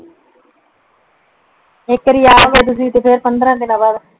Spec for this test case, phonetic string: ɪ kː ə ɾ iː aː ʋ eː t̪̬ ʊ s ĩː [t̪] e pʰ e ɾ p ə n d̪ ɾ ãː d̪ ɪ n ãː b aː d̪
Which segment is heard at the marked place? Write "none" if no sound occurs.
t̪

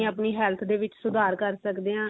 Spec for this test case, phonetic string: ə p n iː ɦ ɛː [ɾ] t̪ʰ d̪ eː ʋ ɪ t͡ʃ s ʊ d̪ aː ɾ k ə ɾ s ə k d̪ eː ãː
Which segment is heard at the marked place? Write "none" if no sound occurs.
l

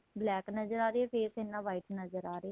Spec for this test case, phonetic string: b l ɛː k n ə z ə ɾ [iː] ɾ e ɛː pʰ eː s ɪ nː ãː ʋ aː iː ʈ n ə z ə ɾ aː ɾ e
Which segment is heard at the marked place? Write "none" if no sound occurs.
aː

